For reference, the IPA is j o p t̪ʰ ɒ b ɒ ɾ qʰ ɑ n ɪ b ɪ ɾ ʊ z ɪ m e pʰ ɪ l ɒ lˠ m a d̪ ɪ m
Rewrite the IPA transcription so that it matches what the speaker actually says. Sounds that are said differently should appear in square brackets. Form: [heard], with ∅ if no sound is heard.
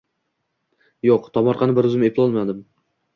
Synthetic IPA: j o [q] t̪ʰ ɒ [m] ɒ ɾ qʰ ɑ n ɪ b ɪ ɾ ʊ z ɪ m e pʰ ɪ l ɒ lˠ m a d̪ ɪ m